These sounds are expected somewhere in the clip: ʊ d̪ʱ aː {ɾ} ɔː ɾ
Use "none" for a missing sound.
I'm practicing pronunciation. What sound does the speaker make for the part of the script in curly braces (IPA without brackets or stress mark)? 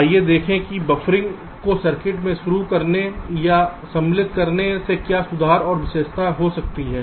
ɾ